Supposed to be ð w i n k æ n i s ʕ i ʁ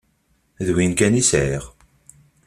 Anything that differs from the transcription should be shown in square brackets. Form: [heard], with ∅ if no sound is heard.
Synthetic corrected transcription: ð w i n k æ n i s ʕ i ʁ